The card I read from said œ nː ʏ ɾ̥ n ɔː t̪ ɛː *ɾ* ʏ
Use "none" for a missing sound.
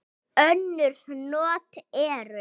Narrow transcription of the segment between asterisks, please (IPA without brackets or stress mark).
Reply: ɾ